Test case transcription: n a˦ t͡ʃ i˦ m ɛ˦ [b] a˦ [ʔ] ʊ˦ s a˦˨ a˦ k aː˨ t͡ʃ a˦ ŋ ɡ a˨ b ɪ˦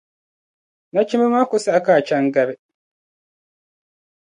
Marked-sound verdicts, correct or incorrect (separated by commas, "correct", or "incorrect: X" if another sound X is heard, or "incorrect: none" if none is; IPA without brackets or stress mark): incorrect: m, incorrect: k